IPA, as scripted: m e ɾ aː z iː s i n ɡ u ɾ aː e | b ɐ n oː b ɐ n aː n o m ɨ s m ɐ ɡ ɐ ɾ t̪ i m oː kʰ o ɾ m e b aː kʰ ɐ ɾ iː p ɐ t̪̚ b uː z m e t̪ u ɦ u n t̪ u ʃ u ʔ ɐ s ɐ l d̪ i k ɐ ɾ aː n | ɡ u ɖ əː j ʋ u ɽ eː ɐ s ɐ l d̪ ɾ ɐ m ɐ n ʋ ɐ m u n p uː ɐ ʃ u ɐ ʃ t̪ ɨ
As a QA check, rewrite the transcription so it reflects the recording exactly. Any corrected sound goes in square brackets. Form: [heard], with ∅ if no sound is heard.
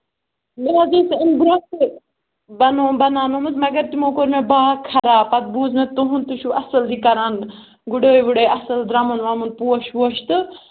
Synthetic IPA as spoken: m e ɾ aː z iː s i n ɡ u ɾ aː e | b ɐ n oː b ɐ n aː n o m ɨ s m ɐ ɡ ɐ ɾ t̪ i m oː [k] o ɾ m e b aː kʰ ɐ ɾ [aː] p ɐ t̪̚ b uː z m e t̪ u ɦ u n t̪ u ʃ u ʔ ɐ s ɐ l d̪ i k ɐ ɾ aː n | ɡ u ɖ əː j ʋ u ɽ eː ɐ s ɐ l d̪ ɾ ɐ m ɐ n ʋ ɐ m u n p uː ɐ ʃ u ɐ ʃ t̪ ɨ